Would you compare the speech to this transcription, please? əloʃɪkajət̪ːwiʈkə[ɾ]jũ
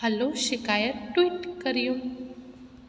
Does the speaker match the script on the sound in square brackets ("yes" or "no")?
yes